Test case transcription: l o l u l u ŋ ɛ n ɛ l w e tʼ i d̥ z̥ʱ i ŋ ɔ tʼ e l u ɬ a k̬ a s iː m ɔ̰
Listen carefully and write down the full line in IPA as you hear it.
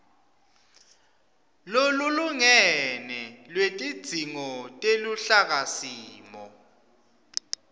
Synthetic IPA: l o l u l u ŋ ɛ n ɛ l w e tʼ i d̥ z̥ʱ i ŋ ɔ tʼ e l u ɬ a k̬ a s iː m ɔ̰